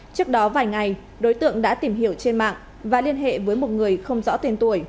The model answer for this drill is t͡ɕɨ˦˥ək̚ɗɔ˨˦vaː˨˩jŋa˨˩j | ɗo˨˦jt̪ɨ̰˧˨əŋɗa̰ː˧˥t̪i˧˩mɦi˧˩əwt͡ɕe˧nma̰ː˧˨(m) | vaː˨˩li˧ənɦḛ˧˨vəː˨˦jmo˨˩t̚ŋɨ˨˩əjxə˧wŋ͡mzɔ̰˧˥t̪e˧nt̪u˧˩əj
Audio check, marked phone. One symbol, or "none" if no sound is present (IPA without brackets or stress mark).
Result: ŋ